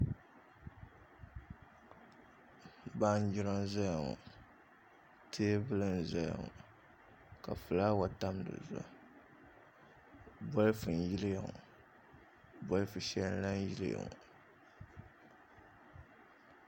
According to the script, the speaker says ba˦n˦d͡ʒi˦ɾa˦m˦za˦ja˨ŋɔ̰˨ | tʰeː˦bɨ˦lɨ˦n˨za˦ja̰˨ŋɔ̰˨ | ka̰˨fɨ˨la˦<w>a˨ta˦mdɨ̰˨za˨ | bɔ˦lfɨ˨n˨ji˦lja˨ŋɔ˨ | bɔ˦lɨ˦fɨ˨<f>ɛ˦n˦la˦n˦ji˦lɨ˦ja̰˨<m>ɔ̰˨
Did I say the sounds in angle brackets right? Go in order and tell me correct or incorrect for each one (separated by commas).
correct, incorrect, incorrect